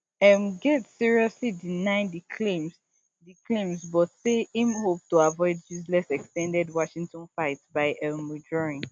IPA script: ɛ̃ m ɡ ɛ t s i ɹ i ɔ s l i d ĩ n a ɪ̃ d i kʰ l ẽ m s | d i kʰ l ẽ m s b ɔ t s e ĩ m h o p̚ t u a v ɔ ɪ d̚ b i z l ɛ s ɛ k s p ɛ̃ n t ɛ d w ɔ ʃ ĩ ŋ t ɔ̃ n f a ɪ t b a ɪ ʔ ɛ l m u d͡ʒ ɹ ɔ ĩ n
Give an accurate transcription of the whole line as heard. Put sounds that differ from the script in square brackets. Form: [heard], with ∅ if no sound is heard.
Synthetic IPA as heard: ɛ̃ m ɡ ɛ t s i ɹ i ɔ s l i d [i] n a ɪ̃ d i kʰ l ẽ m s | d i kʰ l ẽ m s b ɔ t s e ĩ m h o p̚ t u a v ɔ ɪ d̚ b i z l ɛ s ɛ k s [t] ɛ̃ n [d] ɛ d w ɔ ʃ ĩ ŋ t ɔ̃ n f a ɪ t b a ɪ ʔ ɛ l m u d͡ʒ ɹ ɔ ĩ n

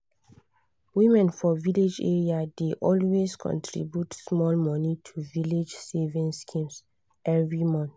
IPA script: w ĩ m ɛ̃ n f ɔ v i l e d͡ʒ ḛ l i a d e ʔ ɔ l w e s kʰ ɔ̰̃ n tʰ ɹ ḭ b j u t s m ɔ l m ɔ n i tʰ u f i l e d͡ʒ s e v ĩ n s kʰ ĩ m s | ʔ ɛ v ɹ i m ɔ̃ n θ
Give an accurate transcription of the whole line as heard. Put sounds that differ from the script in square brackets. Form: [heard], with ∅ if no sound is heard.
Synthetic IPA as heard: w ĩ m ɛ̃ n f ɔ v i l e d͡ʒ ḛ [ɹ] i a d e ʔ ɔ l w e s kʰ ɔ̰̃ n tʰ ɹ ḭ b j u t s m ɔ l m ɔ n i tʰ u [v] i l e d͡ʒ s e v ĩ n s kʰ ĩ m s | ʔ ɛ v ɹ i m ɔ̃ n θ

